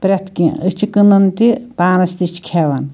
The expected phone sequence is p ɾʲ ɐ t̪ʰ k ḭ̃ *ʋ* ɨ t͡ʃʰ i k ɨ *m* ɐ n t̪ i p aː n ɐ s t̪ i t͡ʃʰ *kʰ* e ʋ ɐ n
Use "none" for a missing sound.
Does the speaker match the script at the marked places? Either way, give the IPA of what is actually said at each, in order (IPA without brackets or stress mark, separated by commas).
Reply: none, n, kʰ